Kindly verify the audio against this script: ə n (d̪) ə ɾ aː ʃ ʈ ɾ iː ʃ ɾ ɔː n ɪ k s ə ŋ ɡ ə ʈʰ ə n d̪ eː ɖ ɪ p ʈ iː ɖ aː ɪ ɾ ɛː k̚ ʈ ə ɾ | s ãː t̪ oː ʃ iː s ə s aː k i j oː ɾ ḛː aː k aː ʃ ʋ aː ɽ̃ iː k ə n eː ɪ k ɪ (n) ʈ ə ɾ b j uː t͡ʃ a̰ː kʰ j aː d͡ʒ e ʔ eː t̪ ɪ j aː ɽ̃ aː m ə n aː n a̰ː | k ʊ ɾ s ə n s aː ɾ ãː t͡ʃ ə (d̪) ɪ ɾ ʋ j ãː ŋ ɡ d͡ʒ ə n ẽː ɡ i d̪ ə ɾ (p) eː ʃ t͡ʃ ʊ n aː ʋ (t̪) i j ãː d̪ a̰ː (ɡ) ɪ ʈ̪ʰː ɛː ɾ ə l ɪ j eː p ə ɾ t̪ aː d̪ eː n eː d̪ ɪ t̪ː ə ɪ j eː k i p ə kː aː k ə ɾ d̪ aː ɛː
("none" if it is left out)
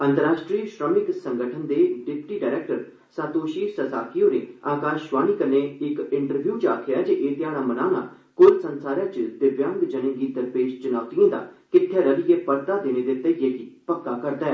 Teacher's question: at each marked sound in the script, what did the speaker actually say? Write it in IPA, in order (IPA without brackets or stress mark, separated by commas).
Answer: t̪, ɳ, d̪, p, t̪, k